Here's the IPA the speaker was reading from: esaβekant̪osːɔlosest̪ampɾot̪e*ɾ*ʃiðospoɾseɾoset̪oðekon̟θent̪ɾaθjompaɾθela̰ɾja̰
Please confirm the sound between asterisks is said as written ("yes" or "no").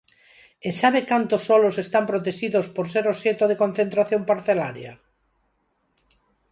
no